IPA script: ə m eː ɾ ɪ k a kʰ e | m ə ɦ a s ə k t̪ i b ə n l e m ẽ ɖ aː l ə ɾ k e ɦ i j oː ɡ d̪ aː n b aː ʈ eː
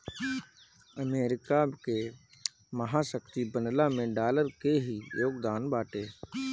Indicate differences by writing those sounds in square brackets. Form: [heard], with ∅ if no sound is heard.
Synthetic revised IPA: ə m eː ɾ ɪ k a [k] e | m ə ɦ a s ə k t̪ i b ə n l [a] m ẽ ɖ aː l ə ɾ k e ɦ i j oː ɡ d̪ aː n b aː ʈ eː